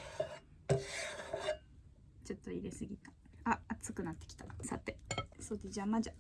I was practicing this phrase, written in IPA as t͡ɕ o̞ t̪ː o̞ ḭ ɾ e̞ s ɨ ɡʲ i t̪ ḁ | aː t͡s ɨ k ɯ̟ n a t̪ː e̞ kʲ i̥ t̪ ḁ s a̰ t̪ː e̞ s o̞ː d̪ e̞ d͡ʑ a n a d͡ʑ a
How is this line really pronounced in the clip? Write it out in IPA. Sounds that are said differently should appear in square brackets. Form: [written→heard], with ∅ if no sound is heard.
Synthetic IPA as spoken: t͡ɕ o̞ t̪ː o̞ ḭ ɾ e̞ s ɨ ɡʲ i t̪ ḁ | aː t͡s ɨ k ɯ̟ n a t̪ː e̞ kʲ i̥ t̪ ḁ s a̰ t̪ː e̞ s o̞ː d̪ e̞ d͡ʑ a [n→m] a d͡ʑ a